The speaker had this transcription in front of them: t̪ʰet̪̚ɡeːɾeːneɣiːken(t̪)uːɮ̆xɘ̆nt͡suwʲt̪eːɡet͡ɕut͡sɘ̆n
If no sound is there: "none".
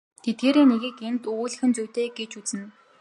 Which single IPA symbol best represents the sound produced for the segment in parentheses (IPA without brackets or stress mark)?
t̪